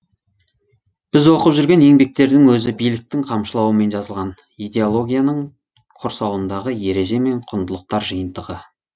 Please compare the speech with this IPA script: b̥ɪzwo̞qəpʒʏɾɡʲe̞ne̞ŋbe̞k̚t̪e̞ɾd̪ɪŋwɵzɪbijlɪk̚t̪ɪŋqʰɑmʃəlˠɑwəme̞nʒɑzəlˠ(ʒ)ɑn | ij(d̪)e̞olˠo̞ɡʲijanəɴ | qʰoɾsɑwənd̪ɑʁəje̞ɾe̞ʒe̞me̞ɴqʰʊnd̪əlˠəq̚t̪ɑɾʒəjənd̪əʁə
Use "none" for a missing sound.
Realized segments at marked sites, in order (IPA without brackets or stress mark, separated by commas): ʁ, d̪